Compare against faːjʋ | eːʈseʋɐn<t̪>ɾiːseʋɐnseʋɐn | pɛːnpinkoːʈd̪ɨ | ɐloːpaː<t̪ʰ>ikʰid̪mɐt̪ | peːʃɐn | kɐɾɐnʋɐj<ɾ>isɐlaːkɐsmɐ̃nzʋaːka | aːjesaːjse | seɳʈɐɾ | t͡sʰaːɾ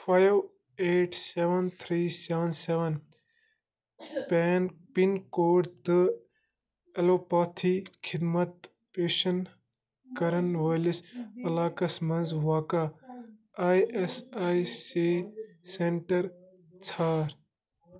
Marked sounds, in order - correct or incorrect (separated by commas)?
incorrect, correct, incorrect